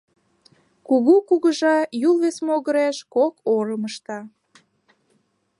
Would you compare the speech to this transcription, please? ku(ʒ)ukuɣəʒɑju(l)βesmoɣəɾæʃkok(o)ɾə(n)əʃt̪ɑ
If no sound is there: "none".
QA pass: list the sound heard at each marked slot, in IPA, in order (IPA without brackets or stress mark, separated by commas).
ɣ, l, o, m